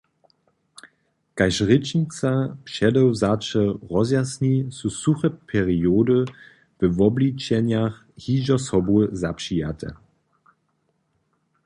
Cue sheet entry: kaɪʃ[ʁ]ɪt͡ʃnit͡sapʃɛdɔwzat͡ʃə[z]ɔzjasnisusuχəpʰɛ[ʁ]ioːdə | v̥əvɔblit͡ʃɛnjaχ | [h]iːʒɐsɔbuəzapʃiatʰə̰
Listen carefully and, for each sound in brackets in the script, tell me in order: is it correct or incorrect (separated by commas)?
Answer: correct, incorrect, correct, correct